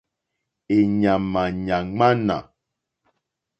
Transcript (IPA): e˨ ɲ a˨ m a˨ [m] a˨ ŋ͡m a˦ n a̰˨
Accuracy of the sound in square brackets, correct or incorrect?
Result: incorrect